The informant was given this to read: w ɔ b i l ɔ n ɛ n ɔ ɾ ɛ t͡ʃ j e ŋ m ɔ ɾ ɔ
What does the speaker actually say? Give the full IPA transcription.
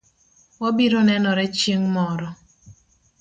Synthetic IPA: w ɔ b i ɾ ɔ n ɛ n ɔ ɾ ɛ t͡ʃ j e ŋ m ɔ ɾ ɔ